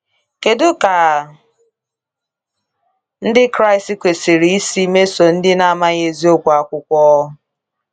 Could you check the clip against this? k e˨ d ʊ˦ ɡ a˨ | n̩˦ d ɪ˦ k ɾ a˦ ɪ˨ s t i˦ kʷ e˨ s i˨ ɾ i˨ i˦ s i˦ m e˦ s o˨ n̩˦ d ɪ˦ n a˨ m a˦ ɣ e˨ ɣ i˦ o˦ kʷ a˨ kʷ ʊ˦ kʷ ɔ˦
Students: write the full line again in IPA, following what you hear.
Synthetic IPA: k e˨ d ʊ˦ k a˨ | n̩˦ d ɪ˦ k ɾ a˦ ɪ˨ s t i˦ kʷ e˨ s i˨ ɾ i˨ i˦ s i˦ m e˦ s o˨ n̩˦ d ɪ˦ n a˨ m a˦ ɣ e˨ z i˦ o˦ kʷ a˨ kʷ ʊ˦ kʷ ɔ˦